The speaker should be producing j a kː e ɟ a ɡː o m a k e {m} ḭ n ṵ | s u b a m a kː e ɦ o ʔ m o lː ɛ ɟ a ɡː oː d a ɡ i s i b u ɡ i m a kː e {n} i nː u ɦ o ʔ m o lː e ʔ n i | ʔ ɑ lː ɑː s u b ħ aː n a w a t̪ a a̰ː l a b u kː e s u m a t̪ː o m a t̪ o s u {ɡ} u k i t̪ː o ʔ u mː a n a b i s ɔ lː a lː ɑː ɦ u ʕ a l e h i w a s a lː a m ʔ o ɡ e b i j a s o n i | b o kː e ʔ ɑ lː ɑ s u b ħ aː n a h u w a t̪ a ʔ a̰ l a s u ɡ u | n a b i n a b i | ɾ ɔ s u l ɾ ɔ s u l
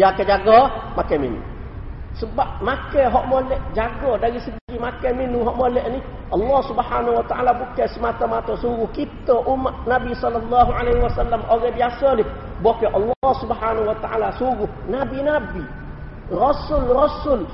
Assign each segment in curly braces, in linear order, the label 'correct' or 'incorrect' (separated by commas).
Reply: correct, incorrect, correct